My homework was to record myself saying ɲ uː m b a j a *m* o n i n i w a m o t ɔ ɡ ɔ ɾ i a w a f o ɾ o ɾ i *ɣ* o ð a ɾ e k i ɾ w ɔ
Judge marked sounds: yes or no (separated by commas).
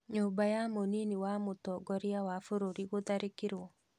yes, yes